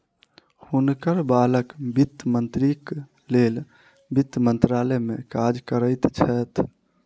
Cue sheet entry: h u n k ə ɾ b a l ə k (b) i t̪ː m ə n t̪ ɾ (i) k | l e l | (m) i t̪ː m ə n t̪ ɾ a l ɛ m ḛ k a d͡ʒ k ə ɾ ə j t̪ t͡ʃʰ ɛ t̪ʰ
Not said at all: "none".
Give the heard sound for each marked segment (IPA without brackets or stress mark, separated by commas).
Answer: b, i, b